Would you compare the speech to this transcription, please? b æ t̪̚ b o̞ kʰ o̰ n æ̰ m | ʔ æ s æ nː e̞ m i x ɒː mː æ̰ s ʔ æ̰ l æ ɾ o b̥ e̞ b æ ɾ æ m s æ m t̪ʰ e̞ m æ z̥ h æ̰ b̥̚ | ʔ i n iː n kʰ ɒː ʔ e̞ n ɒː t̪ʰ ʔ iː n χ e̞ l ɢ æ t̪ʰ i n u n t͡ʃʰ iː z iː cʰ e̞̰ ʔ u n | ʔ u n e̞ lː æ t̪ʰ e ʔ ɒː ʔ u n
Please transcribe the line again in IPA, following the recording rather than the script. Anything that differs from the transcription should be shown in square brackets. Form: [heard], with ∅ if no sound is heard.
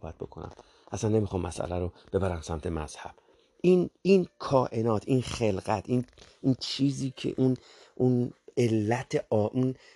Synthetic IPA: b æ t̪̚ b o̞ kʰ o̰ n æ̰ m | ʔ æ s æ nː e̞ m i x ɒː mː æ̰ s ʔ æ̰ l æ ɾ o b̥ e̞ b æ ɾ æ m s æ m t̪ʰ e̞ m æ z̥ h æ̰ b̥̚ | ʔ i n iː n kʰ ɒː ʔ e̞ n ɒː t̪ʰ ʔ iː n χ e̞ l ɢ æ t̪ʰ i n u n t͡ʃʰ iː z iː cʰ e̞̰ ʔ u n | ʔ u n e̞ lː æ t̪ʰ e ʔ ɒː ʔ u n